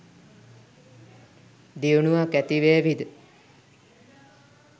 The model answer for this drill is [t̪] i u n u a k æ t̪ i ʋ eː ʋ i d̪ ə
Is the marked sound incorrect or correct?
incorrect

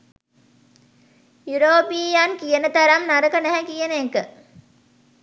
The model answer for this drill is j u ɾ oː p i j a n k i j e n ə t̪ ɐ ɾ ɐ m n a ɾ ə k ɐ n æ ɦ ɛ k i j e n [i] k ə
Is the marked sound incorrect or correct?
incorrect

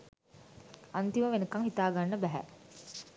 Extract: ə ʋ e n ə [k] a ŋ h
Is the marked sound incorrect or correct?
correct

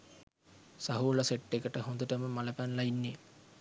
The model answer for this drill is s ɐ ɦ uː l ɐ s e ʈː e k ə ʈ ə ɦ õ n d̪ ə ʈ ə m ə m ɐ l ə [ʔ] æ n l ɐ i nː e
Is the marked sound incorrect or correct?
incorrect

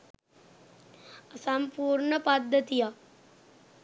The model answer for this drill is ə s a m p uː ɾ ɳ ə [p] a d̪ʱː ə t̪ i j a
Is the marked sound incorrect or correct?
correct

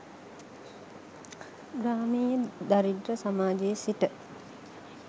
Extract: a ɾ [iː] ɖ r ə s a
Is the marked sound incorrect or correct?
incorrect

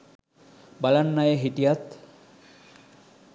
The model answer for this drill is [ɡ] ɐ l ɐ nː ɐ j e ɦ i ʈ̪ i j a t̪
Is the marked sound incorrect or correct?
incorrect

